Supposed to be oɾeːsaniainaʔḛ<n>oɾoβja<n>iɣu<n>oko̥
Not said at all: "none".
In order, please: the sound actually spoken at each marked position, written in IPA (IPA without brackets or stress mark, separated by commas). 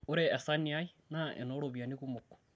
n, n, m